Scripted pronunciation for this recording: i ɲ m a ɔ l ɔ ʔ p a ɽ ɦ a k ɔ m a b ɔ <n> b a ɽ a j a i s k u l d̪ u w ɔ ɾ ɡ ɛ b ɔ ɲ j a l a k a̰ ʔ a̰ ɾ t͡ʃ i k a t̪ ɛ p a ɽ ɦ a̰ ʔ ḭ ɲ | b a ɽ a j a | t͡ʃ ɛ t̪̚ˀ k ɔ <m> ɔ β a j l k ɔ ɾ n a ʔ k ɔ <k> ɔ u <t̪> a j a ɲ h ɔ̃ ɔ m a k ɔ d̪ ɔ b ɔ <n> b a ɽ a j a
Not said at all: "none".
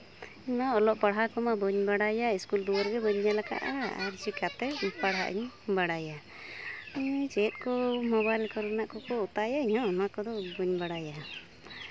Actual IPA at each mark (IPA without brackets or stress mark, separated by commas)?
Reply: ɲ, m, k, t̪, ɲ